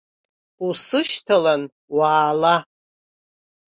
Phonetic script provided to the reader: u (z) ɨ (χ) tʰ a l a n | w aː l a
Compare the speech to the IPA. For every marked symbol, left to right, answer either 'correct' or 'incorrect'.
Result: incorrect, incorrect

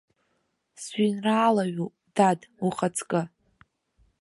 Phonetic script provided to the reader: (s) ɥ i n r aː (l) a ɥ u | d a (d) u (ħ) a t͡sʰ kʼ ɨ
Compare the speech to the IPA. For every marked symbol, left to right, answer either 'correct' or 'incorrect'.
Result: correct, correct, correct, incorrect

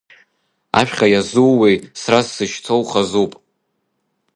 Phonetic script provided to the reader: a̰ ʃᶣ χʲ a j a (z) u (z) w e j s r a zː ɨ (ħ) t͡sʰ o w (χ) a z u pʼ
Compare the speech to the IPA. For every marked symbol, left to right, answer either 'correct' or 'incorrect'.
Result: correct, incorrect, incorrect, correct

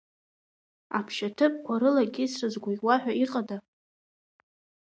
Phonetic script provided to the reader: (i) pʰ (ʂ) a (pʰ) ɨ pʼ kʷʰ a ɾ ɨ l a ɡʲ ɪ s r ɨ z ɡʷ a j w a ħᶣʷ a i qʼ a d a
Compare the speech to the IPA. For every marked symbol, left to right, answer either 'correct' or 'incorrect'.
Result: incorrect, incorrect, incorrect

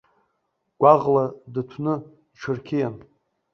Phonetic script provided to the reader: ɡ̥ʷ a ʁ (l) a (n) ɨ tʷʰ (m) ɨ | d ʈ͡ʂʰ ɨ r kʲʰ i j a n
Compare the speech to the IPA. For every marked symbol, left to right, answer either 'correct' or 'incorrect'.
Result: correct, incorrect, incorrect

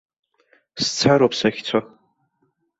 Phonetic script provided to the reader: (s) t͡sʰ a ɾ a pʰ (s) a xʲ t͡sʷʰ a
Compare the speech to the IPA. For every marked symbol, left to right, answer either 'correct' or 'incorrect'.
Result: correct, correct

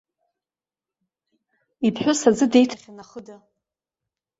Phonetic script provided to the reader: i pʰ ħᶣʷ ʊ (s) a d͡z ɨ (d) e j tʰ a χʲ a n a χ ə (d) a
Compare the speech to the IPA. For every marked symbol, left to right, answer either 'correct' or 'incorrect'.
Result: correct, correct, correct

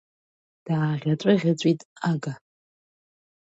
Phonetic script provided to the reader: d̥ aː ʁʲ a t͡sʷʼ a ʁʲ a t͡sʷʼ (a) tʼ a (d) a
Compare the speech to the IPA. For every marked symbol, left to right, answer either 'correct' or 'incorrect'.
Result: incorrect, incorrect

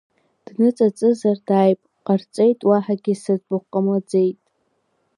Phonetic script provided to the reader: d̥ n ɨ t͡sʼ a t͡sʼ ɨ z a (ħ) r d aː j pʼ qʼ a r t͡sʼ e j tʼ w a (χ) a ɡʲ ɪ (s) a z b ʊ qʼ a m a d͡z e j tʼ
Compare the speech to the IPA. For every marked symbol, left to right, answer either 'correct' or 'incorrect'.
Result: incorrect, incorrect, correct

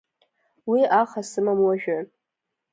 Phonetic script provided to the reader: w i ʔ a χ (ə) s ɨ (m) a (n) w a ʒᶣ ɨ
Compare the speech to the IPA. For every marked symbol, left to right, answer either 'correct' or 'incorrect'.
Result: incorrect, correct, incorrect

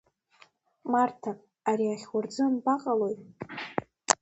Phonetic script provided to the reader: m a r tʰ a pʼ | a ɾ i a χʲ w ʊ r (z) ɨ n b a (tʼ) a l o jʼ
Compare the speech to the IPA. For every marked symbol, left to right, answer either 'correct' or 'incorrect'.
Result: incorrect, incorrect

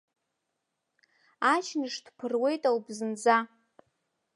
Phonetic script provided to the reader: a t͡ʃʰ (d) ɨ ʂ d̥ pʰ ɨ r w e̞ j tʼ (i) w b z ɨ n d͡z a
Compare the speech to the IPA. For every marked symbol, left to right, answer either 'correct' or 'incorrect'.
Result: incorrect, incorrect

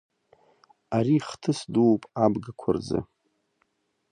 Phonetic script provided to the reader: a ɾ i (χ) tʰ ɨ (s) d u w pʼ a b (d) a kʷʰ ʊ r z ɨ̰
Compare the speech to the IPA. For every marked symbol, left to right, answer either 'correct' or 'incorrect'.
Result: correct, correct, incorrect

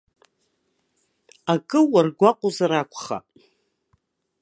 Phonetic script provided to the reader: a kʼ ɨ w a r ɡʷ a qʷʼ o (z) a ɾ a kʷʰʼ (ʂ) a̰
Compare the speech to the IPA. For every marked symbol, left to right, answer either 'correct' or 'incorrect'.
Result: correct, incorrect

